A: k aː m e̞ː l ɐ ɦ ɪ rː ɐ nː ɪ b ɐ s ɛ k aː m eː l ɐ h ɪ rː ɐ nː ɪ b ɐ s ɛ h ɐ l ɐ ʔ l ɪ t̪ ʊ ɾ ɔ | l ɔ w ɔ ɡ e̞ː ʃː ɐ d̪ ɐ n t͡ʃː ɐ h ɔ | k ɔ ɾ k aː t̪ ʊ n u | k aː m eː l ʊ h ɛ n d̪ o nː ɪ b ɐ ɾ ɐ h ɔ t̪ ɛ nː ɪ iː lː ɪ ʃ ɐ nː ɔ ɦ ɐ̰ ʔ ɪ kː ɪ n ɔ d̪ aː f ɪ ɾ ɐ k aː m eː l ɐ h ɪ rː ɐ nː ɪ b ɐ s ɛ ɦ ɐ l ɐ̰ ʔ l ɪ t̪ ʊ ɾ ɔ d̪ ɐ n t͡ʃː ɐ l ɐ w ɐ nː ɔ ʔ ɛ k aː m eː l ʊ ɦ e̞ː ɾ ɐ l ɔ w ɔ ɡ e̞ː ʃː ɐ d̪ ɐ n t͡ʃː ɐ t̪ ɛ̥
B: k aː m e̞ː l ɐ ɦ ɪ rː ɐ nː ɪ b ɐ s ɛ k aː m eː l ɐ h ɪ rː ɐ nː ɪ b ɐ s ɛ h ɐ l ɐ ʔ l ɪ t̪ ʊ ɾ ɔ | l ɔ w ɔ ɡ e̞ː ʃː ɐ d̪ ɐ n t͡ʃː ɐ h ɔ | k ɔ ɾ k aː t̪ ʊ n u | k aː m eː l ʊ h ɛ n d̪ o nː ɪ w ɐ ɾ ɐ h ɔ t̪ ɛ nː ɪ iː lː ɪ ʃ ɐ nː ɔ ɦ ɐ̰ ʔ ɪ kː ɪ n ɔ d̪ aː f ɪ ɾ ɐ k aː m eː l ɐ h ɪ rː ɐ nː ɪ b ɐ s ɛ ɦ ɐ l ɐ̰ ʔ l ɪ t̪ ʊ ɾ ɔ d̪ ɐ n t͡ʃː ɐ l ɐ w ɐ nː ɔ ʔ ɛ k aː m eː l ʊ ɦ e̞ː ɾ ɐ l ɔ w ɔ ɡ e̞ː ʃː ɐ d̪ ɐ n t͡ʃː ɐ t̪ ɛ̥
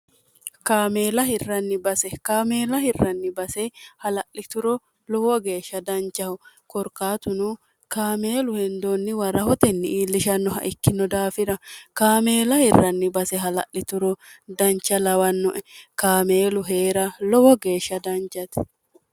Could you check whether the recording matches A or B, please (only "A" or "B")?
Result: B